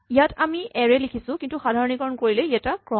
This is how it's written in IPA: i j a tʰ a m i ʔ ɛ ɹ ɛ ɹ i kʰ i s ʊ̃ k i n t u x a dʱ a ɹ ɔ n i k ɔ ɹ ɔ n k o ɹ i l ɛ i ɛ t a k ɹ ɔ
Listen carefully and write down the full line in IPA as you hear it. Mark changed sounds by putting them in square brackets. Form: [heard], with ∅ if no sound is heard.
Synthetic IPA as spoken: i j a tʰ a m i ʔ ɛ ɹ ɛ [l] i kʰ i s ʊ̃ k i n t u x a dʱ a ɹ ɔ n i k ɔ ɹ ɔ n k o ɹ i l ɛ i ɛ t a k ɹ ɔ

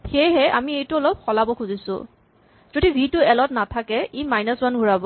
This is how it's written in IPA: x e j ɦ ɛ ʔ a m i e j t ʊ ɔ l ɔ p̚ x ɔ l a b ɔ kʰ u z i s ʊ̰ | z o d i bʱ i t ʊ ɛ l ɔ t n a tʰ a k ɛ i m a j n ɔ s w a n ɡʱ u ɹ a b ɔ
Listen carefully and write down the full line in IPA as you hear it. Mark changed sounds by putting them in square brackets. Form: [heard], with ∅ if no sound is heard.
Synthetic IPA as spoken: x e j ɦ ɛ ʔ a m i e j t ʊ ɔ l ɔ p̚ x ɔ l a b ɔ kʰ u z i s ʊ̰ | z o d i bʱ i t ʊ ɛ l ɔ t n a tʰ a k ɛ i m a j n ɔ s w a n ɡʱ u ɹ a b ɔ

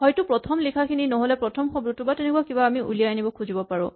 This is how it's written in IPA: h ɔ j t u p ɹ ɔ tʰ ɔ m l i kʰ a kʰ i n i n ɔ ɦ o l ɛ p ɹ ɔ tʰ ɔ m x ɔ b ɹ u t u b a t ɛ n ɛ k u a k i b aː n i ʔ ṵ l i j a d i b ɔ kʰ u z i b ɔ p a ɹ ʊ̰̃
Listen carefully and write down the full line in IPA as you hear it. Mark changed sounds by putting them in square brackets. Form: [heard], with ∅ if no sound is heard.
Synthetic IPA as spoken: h ɔ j t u p ɹ ɔ tʰ ɔ m l i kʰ a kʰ i n i n ɔ ɦ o l ɛ p ɹ ɔ tʰ ɔ m x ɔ b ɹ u t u b a t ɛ n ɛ k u a k i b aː [m] i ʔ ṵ l i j a [n] i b ɔ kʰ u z i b ɔ p a ɹ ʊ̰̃

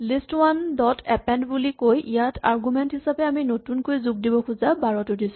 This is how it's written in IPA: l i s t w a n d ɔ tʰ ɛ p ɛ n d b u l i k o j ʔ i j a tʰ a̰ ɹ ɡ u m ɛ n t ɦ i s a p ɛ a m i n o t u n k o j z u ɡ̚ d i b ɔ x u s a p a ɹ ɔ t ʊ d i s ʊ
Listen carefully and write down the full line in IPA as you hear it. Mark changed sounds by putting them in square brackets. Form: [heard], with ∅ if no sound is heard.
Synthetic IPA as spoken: l i s t w a n d ɔ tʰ ɛ p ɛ n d b u l i k o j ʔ i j a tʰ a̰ ɹ ɡ u m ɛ n t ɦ i s a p ɛ a m i n o t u n k o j z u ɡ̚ d i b ɔ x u [z] a [b] a ɹ ɔ t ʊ d i s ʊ

